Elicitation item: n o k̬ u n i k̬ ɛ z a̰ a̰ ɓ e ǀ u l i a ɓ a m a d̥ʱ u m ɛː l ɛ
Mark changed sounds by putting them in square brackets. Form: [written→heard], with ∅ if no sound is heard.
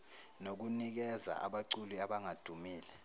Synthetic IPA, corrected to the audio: n o k̬ u n i k̬ ɛ z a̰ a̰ ɓ [e→a] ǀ u l i a ɓ a [m→ŋ] a d̥ʱ u m [ɛː→iː] l ɛ